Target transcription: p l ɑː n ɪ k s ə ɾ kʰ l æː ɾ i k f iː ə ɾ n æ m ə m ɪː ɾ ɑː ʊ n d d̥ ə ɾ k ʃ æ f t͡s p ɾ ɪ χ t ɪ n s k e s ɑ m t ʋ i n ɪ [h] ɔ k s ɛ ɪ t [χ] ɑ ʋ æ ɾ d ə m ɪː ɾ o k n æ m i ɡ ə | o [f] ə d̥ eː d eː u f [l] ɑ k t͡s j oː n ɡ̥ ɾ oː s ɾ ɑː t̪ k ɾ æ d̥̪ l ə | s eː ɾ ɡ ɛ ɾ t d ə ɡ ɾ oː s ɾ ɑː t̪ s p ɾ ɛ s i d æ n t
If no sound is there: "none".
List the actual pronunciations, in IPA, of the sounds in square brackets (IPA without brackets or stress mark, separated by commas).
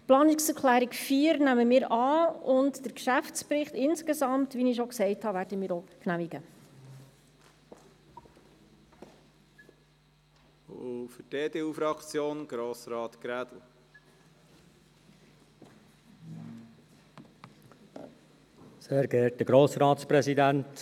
ʃ, h, f, ɾ